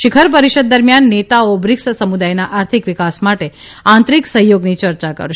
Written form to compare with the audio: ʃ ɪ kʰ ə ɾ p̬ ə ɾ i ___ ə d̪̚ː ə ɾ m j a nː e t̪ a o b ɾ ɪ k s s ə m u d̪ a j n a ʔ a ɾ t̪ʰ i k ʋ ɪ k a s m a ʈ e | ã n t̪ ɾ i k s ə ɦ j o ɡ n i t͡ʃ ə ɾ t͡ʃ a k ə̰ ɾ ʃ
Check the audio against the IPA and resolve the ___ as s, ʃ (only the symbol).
ʃ